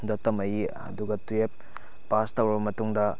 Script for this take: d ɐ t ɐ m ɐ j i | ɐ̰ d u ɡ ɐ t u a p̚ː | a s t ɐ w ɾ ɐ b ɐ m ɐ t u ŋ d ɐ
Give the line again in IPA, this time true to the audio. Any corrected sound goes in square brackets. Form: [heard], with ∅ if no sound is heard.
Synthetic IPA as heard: d ɐ t ɐ m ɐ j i | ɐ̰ d u ɡ ɐ t u [e] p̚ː | a s t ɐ w ɾ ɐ b ɐ m ɐ t u ŋ d ɐ